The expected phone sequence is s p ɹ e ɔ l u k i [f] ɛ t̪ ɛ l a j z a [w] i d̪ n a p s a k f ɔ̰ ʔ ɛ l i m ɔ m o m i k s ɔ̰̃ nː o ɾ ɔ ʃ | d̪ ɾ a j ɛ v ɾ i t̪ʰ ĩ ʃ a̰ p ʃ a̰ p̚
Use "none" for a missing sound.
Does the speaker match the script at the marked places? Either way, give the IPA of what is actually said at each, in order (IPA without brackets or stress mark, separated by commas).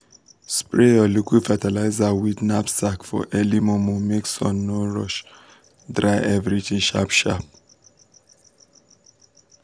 f, w